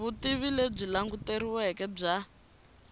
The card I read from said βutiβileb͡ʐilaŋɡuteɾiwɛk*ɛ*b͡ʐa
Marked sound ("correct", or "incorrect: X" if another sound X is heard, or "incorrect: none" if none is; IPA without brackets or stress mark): correct